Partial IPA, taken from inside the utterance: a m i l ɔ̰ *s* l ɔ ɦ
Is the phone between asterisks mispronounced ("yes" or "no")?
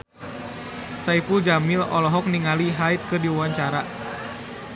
yes